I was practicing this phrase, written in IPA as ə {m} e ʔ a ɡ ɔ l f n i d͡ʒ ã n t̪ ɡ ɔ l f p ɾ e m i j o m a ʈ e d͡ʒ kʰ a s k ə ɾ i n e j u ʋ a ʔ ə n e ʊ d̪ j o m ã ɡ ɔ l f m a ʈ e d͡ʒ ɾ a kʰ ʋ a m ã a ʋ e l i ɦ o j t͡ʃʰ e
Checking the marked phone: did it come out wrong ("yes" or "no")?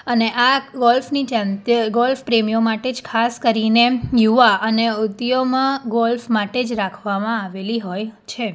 yes